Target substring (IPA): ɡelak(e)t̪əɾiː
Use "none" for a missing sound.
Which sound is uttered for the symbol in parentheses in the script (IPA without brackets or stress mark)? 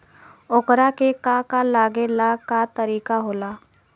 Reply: a